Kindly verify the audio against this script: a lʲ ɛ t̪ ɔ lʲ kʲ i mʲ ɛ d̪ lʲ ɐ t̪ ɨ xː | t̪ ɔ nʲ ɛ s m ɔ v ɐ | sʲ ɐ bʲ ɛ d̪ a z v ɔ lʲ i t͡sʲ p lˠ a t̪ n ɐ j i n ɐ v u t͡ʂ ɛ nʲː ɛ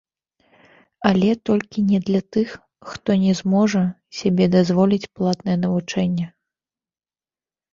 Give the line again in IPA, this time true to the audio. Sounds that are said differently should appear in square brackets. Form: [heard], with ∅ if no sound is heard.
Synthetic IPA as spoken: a lʲ ɛ t̪ ɔ lʲ kʲ i [nʲ] ɛ d̪ lʲ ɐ t̪ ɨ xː | t̪ ɔ nʲ ɛ [z] m ɔ [ʐ] ɐ | sʲ [a] bʲ ɛ d̪ a z v ɔ lʲ i t͡sʲ p lˠ a t̪ n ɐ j [ɛ] n ɐ v u t͡ʂ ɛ nʲː ɛ